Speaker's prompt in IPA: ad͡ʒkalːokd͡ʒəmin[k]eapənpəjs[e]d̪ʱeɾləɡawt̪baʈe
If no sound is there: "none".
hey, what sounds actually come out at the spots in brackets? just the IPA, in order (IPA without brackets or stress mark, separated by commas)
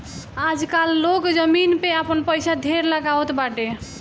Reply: p, a